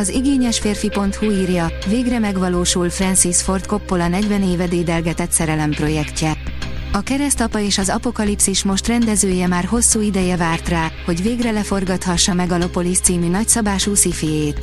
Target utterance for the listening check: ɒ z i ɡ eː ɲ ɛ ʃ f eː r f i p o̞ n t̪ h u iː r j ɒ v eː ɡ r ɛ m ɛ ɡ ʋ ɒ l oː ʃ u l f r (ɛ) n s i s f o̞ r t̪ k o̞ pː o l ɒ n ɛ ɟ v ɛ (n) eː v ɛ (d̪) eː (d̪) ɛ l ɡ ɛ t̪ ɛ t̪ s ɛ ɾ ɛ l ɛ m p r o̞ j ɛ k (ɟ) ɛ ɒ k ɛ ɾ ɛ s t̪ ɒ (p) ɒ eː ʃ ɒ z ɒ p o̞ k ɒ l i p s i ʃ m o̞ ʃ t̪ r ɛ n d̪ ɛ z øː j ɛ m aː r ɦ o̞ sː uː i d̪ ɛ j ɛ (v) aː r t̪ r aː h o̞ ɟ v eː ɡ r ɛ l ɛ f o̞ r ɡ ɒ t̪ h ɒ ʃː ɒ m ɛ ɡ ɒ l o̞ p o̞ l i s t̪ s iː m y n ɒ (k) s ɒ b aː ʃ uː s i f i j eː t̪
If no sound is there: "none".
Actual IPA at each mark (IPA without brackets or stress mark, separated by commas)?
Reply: ɛ, n, d̪, d̪, c, p, v, c